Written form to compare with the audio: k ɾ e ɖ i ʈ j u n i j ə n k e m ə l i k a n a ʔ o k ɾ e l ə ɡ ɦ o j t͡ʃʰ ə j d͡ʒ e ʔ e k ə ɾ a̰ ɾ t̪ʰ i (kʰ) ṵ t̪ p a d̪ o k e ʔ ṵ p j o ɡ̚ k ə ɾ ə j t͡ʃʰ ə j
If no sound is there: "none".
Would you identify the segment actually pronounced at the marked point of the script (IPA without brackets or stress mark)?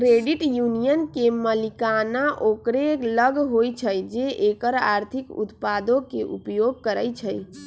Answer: k